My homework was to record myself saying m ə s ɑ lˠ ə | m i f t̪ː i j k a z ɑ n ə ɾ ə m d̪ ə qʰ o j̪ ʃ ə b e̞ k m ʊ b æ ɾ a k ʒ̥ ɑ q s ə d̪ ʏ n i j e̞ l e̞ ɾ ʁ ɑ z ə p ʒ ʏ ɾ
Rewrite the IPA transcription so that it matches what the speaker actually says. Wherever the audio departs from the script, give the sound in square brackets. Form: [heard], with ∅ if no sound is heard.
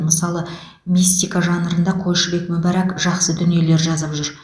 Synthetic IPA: m ə s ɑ lˠ ə | m i [s] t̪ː i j k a [ʒ] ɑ n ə ɾ ə [n] d̪ [ɑ] qʰ o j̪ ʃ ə b e̞ k m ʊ b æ ɾ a k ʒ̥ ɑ q s ə d̪ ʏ n i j e̞ l e̞ ɾ [ʒ] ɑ z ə p ʒ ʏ ɾ